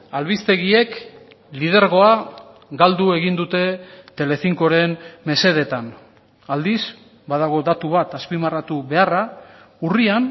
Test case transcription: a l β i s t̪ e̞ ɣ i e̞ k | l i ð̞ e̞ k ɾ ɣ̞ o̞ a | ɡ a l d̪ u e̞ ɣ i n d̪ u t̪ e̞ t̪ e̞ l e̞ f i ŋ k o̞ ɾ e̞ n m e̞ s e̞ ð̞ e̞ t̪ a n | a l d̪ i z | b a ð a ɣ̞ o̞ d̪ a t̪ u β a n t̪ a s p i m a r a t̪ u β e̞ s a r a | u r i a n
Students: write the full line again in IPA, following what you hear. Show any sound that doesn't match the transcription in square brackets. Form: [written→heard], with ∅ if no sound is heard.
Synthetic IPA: a l β i s t̪ e̞ ɣ i e̞ k | l i ð̞ e̞ [k→∅] ɾ ɣ̞ o̞ a | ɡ a l d̪ u e̞ ɣ i n d̪ u t̪ e̞ t̪ e̞ l e̞ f i ŋ k o̞ ɾ e̞ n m e̞ s e̞ ð̞ e̞ t̪ a n | a l d̪ i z | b a ð a ɣ̞ o̞ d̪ a t̪ u β a [n→∅] t̪ a s p i m a r a t̪ u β e̞ [s→∅] a r a | u r i a n

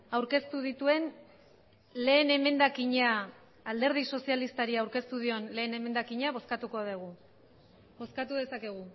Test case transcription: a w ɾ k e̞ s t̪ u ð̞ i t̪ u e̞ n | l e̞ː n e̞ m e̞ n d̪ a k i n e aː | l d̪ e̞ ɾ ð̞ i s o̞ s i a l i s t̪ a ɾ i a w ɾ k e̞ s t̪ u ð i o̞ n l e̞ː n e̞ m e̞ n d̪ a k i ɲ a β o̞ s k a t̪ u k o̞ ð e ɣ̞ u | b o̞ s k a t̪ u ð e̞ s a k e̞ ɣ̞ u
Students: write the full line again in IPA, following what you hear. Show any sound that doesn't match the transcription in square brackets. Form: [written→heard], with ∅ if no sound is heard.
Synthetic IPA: a w ɾ k e̞ s t̪ u ð̞ i t̪ u e̞ n | l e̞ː n e̞ m e̞ n d̪ a k i [n→ɲ] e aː | l d̪ e̞ ɾ ð̞ i s o̞ s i a l i s t̪ a ɾ i a w ɾ k e̞ s t̪ u ð i o̞ n l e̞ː n e̞ m e̞ n d̪ a k i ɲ a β o̞ s k a t̪ u k o̞ ð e ɣ̞ u | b o̞ s k a t̪ u ð e̞ s a k e̞ ɣ̞ u

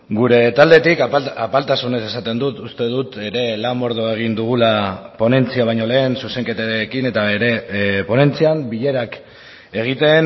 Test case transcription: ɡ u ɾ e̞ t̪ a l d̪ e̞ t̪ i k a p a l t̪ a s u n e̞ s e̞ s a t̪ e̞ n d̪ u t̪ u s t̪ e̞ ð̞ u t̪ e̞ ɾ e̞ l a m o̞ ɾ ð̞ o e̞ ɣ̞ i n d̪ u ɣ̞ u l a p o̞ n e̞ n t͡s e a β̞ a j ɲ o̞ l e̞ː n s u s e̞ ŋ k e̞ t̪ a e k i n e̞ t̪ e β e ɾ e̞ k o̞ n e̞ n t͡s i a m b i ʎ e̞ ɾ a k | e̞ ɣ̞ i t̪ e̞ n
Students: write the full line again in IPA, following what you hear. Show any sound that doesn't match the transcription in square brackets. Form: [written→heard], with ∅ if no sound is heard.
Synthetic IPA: ɡ u ɾ e̞ t̪ a l d̪ e̞ t̪ i k a p a l t̪ a s u n e̞ s e̞ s a t̪ e̞ n d̪ u t̪ u s t̪ e̞ ð̞ u t̪ e̞ ɾ e̞ l a m o̞ ɾ ð̞ o e̞ ɣ̞ i n d̪ u ɣ̞ u l a p o̞ n e̞ n t͡s [e→i] a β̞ a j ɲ o̞ l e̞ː n s u s e̞ ŋ k e̞ t̪ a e k i n e̞ t̪ [e→a] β e ɾ e̞ [k→p] o̞ n e̞ n t͡s i a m b i ʎ e̞ ɾ a k | e̞ ɣ̞ i t̪ e̞ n

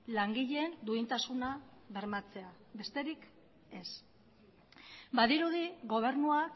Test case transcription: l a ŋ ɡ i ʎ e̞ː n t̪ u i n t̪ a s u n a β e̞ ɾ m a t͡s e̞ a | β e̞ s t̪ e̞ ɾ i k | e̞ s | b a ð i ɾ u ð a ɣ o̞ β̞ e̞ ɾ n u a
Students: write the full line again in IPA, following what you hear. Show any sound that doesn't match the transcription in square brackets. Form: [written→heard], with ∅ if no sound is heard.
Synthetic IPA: l a ŋ ɡ i ʎ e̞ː n [t̪→d̪] u i n t̪ a s u n a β e̞ ɾ m a t͡s e̞ a | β e̞ s t̪ e̞ ɾ i k | e̞ s | b a ð i ɾ u ð [a→i] ɣ o̞ β̞ e̞ ɾ n u a

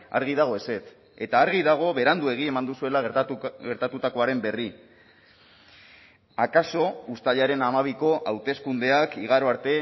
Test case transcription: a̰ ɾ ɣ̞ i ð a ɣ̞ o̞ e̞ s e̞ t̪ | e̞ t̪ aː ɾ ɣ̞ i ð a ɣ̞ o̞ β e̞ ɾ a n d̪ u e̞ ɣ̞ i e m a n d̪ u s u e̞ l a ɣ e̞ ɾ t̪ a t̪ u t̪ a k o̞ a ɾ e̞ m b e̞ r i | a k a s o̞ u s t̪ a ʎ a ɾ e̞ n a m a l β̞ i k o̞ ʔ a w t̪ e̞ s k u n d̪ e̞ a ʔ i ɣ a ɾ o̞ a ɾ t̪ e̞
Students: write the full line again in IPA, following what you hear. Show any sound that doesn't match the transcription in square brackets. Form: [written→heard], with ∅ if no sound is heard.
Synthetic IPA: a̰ ɾ ɣ̞ i ð a ɣ̞ o̞ e̞ s e̞ t̪ | e̞ t̪ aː ɾ ɣ̞ i ð a ɣ̞ o̞ β e̞ ɾ a n d̪ u e̞ ɣ̞ i e m a n d̪ u s u e̞ l a ɣ e̞ ɾ t̪ a t̪ u t̪ a k o̞ a ɾ e̞ m b e̞ r i | a k a s o̞ u s t̪ a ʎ a ɾ e̞ n a m a [l→∅] β̞ i k o̞ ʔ a w t̪ e̞ s k u n d̪ e̞ a [ʔ→k] i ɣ a ɾ o̞ a ɾ t̪ e̞

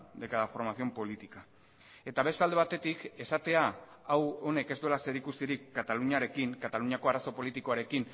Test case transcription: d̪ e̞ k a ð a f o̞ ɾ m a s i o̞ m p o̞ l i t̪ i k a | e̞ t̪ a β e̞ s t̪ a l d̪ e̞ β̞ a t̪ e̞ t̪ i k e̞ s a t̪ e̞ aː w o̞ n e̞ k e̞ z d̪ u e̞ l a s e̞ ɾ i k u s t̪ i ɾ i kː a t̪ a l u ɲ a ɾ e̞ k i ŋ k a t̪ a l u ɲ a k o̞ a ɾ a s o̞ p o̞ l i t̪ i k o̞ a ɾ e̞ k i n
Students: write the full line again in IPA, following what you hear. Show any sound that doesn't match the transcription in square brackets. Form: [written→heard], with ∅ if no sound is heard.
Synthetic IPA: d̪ e̞ k a ð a f o̞ ɾ m a s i o̞ m p o̞ l i t̪ i k a | e̞ t̪ a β e̞ s t̪ a l d̪ e̞ β̞ a t̪ e̞ t̪ i k e̞ s a t̪ e̞ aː w o̞ n e̞ k e̞ z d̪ u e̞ l a s e̞ ɾ i k u s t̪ i ɾ i kː a t̪ a l u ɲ a ɾ e̞ k i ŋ k a t̪ a l u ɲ a k o̞ a ɾ a s o̞ p o̞ l i t̪ i k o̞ a ɾ e̞ k i n

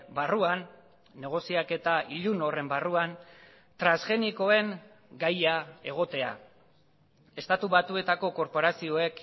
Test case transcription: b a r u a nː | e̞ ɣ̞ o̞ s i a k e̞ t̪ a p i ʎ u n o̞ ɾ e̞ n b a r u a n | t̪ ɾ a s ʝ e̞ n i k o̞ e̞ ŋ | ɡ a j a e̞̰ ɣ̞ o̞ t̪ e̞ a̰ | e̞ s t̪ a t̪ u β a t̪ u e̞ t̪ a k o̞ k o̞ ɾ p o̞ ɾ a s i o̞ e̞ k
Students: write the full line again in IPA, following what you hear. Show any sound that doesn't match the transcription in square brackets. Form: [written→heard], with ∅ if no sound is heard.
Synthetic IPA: b a r u a nː | e̞ ɣ̞ o̞ s i a k e̞ t̪ a [p→∅] i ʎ u n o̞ [ɾ→r] e̞ [n→m] b a r u a n | t̪ ɾ a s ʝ e̞ n i k o̞ e̞ ŋ | ɡ a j a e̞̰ ɣ̞ o̞ t̪ e̞ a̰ | e̞ s t̪ a t̪ u β a t̪ u e̞ t̪ a k o̞ k o̞ ɾ p o̞ ɾ a s i o̞ e̞ k

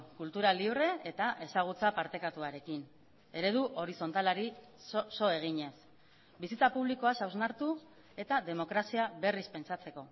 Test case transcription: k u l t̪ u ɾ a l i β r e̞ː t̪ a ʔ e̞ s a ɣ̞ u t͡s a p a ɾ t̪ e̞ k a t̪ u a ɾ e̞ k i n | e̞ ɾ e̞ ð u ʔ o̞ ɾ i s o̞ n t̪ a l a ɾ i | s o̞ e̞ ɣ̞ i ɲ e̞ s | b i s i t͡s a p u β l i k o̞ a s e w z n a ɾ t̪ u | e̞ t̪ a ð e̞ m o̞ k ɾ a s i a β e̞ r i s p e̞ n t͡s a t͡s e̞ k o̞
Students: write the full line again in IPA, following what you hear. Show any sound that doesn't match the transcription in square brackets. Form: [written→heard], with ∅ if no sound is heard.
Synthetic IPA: k u l t̪ u ɾ a l i β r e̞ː t̪ a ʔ e̞ s a ɣ̞ u t͡s a p a ɾ t̪ e̞ k a t̪ u a ɾ e̞ k i n | e̞ ɾ e̞ ð u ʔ o̞ ɾ i s o̞ n t̪ a l a ɾ i | s o̞ e̞ ɣ̞ i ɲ e̞ s | b i s i t͡s a p u β l i k o̞ a s [e→a] w z n a ɾ t̪ u | e̞ t̪ a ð e̞ m o̞ k ɾ a s i a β e̞ r i s p e̞ n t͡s a t͡s e̞ k o̞

